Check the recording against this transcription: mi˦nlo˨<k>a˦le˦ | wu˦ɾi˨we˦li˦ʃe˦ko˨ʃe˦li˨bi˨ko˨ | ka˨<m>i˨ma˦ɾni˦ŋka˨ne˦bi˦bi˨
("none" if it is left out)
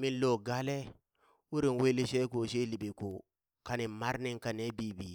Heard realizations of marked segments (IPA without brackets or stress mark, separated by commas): ɡ, n